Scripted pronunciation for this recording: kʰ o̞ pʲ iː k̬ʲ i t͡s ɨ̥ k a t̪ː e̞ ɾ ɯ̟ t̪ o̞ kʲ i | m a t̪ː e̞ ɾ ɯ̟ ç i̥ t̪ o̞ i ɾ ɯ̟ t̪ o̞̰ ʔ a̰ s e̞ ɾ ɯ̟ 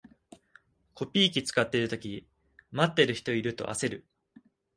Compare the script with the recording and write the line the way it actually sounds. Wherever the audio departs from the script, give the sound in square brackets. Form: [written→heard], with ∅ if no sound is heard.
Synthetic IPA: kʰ o̞ pʲ iː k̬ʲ i t͡s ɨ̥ k a t̪ː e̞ ɾ ɯ̟ t̪ o̞ kʲ i | m a t̪ː e̞ ɾ ɯ̟ ç i̥ t̪ o̞ i ɾ ɯ̟ t̪ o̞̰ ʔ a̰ s e̞ ɾ ɯ̟